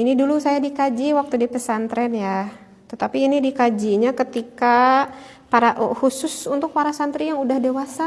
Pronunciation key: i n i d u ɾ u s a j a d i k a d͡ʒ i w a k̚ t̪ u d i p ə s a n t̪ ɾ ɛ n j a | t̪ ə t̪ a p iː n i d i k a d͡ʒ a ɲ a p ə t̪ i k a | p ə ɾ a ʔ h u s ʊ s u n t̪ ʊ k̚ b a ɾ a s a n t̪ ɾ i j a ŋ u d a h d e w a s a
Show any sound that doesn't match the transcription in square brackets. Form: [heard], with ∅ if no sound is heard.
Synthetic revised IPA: i n i d u [l] u s a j a d i k a d͡ʒ i w a k̚ t̪ u d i p ə s a n t̪ ɾ ɛ n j a | t̪ ə t̪ a p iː n i d i k a d͡ʒ [i] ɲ a [k] ə t̪ i k a | p [a] ɾ a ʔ h u s ʊ s u n t̪ ʊ k̚ [p] a ɾ a s a n t̪ ɾ i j a ŋ u d a h d e w a s a